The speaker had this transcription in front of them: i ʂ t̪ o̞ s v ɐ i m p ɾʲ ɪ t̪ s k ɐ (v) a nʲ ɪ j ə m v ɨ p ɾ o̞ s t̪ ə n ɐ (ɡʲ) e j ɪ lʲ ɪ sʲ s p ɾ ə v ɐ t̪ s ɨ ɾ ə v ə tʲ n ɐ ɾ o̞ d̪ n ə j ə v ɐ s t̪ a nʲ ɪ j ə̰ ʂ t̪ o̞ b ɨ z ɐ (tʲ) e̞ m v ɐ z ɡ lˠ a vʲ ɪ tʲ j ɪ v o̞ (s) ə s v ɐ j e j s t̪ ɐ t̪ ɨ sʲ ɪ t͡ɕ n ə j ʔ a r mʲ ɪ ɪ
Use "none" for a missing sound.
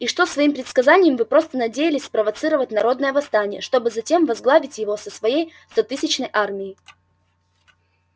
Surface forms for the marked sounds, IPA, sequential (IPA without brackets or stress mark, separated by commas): z, dʲ, tʲ, s